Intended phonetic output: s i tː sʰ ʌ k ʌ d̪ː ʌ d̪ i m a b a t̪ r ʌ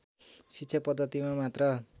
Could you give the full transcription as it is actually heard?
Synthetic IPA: s i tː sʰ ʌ p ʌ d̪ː ʌ t̪ i m a m a t̪ r ʌ